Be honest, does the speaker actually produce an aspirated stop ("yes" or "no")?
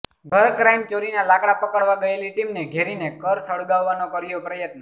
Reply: no